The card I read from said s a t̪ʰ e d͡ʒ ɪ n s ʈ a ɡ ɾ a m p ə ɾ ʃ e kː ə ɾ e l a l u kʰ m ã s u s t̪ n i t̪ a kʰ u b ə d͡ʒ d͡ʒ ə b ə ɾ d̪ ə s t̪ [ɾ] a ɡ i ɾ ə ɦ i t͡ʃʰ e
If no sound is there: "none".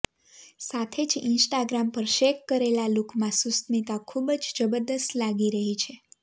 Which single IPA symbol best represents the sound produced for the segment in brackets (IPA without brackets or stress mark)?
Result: l